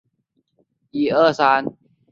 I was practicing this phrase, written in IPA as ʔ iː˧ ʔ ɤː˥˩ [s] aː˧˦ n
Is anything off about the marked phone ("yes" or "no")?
no